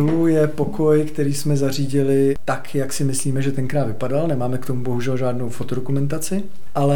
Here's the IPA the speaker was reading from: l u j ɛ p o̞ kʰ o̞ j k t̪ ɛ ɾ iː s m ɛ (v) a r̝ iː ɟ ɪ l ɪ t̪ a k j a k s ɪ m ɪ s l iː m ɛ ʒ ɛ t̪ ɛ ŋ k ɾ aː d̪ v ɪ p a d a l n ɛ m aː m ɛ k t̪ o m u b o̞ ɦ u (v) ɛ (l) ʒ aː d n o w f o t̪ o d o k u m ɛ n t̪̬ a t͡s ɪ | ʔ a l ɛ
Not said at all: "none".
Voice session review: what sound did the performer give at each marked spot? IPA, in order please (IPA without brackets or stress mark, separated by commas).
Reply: z, ʒ, l